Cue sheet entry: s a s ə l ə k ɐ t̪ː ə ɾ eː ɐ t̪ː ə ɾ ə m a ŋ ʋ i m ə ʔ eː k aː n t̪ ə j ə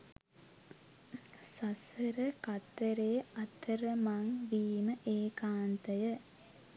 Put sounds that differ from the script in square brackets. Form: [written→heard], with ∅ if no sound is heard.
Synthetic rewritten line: s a s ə [l→ɾ] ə k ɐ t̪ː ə ɾ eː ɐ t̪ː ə ɾ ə m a ŋ ʋ [i→iː] m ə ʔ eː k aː n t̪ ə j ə